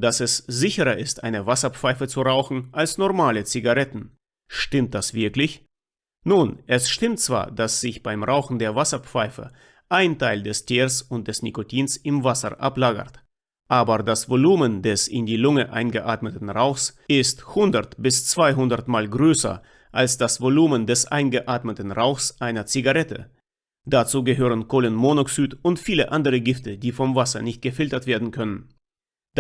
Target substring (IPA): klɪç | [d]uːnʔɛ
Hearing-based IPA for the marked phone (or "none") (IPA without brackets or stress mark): n